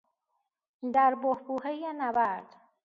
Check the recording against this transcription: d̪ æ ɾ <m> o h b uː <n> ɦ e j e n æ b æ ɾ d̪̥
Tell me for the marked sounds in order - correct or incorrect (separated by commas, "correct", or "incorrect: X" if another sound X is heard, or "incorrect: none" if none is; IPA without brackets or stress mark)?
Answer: incorrect: b, incorrect: none